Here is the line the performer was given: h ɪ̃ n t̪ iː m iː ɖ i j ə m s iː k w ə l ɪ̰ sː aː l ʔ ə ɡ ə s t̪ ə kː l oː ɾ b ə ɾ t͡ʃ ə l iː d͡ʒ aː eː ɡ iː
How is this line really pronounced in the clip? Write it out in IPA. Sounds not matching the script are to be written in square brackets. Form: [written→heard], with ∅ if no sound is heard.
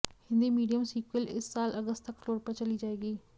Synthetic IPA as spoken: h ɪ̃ n [t̪→d̪] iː m iː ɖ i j ə m s iː k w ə l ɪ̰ sː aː l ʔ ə ɡ ə s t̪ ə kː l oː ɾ [b→p] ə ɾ t͡ʃ ə l iː d͡ʒ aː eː ɡ iː

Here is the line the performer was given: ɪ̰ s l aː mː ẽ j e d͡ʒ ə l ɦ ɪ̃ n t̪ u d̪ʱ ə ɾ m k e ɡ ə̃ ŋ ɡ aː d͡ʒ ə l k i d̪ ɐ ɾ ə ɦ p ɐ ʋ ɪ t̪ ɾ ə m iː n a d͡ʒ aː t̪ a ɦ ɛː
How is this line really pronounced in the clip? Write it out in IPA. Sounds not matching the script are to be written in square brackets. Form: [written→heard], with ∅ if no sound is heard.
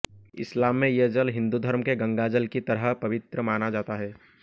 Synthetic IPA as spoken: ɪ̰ s l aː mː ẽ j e d͡ʒ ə l ɦ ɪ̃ n [t̪→d̪] u d̪ʱ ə ɾ m k e ɡ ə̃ ŋ ɡ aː d͡ʒ ə l k i [d̪→t̪] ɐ ɾ ə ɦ p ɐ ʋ ɪ t̪ ɾ ə m [iː→aː] n a d͡ʒ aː t̪ a ɦ ɛː

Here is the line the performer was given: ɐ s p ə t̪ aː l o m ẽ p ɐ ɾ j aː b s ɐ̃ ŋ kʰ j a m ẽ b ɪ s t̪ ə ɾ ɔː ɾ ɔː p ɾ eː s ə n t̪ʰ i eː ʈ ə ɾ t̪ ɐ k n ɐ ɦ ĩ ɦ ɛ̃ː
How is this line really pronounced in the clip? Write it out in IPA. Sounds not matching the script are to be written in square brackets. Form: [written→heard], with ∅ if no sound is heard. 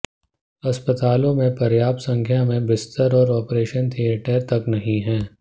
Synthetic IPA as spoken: ɐ s p ə t̪ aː l [o→õ] m ẽ p ɐ ɾ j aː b s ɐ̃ ŋ kʰ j a m ẽ b ɪ s t̪ ə ɾ ɔː ɾ ɔː p ɾ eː [s→ʃ] ə n t̪ʰ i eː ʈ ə ɾ t̪ ɐ k n ɐ ɦ ĩ ɦ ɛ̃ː

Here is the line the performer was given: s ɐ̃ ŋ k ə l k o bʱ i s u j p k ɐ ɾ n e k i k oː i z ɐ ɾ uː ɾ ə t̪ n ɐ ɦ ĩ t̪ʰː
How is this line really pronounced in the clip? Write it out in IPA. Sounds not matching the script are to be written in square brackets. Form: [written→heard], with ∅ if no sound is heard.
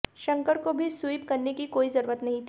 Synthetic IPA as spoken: [s→ʃ] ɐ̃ ŋ k ə [l→ɾ] k o bʱ i s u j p k ɐ ɾ n e k i k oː i z ɐ ɾ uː ɾ ə t̪ n ɐ ɦ ĩ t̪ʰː

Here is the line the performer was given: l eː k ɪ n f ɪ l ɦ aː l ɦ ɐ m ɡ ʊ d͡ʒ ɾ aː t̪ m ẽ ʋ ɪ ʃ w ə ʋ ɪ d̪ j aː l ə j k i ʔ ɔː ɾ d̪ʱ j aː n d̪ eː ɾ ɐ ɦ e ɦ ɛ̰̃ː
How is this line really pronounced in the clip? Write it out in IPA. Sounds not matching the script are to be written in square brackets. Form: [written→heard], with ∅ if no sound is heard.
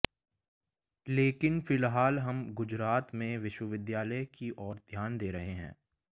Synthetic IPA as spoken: l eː k ɪ n f ɪ l ɦ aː l ɦ ɐ m ɡ ʊ d͡ʒ ɾ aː t̪ m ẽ ʋ ɪ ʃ w ə ʋ ɪ d̪ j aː l ə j k i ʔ ɔː ɾ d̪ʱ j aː n d̪ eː ɾ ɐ ɦ e ɦ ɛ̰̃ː

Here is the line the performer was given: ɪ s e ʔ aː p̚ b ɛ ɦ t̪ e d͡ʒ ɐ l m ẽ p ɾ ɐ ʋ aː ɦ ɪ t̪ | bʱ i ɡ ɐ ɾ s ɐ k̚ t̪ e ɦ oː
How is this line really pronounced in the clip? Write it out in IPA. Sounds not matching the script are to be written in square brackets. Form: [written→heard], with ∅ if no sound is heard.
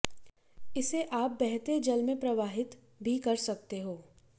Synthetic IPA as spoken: ɪ s e ʔ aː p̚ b ɛ ɦ t̪ e d͡ʒ ɐ l m ẽ p ɾ ɐ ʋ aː ɦ ɪ t̪ | bʱ i [ɡ→k] ɐ ɾ s ɐ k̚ t̪ e ɦ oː

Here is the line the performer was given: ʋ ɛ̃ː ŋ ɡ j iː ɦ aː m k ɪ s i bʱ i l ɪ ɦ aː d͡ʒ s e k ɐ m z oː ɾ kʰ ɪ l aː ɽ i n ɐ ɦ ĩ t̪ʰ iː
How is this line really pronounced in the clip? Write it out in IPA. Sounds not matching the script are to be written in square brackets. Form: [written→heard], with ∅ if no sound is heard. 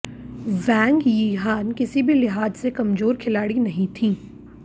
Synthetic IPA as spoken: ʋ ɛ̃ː ŋ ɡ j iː ɦ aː [m→n] k ɪ s i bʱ i l ɪ ɦ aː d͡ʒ s e k ɐ m z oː ɾ kʰ ɪ l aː ɽ i n ɐ ɦ ĩ t̪ʰ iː

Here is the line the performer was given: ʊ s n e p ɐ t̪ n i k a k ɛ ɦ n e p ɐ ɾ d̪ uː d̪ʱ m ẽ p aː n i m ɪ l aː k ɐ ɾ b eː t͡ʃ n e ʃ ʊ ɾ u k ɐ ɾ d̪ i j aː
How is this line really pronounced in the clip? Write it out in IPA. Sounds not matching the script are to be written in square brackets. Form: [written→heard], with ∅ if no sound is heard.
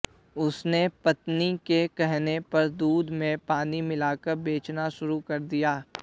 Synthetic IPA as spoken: ʊ s n e p ɐ t̪ n i k [a→e] k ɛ ɦ n e p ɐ ɾ d̪ uː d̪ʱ m ẽ p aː n i m ɪ l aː k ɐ ɾ b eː t͡ʃ n [e→a] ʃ ʊ ɾ u k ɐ ɾ d̪ i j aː

